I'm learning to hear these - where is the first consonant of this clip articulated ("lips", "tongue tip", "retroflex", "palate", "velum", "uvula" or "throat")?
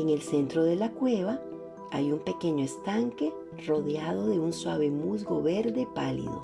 velum